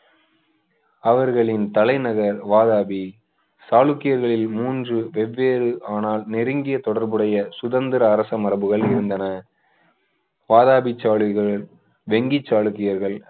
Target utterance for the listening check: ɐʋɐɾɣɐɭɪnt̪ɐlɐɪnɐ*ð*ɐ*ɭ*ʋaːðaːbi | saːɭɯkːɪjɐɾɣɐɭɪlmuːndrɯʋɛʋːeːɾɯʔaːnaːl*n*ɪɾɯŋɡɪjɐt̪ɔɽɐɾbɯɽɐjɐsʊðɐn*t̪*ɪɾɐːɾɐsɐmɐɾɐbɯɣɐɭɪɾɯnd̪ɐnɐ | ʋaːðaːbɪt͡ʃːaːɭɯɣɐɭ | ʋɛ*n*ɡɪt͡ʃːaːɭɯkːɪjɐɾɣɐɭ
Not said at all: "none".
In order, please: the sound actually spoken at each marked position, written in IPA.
ɣ, ɾ, n, d̪, ŋ

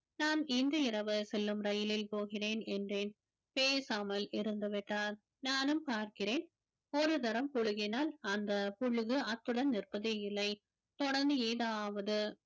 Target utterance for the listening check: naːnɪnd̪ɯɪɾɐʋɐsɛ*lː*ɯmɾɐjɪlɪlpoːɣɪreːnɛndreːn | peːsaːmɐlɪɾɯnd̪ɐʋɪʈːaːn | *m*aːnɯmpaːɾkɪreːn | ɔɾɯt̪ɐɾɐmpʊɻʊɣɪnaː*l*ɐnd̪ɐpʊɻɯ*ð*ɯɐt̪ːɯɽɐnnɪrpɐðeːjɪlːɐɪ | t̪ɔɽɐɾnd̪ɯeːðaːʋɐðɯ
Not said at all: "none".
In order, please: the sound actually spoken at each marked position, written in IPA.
lː, n, l, ɣ

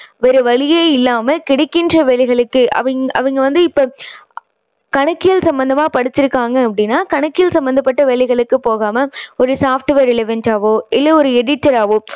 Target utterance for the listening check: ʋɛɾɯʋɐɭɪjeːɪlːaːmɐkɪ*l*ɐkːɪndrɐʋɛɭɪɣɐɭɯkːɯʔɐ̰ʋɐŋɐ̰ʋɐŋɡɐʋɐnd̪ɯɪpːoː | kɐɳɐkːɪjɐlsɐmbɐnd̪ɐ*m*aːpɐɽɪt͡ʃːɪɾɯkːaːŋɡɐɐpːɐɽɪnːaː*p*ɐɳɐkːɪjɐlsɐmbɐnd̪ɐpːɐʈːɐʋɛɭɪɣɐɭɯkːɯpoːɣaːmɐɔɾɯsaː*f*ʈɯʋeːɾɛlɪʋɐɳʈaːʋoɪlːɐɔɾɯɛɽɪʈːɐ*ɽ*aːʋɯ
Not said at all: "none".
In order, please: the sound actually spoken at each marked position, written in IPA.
ɽ, m, k, f, ɾ

